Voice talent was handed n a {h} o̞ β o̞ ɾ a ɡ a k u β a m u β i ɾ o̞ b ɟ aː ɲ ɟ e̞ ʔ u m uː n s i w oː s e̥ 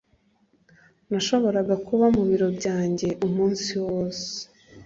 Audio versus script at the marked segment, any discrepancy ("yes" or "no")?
yes